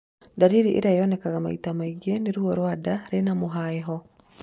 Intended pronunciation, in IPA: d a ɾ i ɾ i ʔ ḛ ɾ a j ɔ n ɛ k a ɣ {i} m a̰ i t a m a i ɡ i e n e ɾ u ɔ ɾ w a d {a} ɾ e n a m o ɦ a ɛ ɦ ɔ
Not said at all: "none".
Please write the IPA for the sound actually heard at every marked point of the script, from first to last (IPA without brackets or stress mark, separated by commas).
a, a